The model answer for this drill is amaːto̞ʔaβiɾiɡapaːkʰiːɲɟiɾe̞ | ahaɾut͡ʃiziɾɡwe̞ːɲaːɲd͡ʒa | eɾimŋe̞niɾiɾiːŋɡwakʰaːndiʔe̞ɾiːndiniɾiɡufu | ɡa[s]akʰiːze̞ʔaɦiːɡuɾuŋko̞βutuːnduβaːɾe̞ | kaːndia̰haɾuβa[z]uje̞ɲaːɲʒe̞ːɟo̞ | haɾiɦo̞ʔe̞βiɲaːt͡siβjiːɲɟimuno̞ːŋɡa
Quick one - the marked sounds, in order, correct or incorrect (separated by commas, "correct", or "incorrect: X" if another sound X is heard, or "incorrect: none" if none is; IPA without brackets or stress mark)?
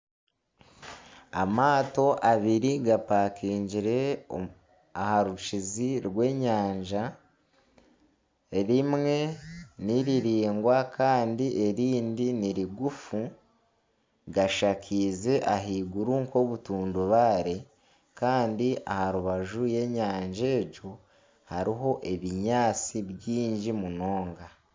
incorrect: ʃ, incorrect: ʒ